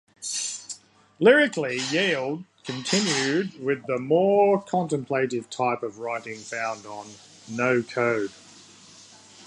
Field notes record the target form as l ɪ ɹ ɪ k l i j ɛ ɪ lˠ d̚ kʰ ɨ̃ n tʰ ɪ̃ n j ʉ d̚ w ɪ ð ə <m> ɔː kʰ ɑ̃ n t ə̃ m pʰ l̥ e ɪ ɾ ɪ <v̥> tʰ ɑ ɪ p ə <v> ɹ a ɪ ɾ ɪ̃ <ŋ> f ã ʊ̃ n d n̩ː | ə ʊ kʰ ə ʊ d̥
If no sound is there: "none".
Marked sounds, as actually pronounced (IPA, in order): m, v̥, v, ŋ

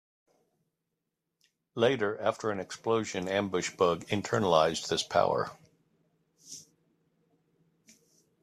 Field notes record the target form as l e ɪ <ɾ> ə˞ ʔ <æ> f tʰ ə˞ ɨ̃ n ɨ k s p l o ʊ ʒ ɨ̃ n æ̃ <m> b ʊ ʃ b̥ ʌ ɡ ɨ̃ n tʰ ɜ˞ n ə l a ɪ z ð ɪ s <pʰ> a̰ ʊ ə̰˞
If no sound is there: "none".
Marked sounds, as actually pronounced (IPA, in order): ɾ, æ, m, pʰ

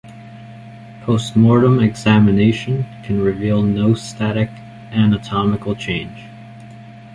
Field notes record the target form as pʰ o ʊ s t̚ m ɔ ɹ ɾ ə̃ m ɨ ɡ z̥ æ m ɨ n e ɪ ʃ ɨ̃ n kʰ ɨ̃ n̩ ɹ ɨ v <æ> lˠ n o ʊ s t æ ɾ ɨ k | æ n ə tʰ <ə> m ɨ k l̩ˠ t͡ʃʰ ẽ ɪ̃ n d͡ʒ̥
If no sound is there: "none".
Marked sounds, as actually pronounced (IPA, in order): i, ɑ

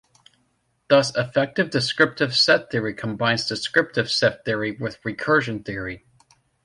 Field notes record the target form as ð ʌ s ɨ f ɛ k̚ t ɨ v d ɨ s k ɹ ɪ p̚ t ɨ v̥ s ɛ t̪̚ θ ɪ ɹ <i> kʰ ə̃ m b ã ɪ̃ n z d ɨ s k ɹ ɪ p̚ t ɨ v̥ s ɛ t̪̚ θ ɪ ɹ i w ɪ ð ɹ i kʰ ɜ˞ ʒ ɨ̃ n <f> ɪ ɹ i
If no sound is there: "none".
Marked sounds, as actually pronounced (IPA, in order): i, θ

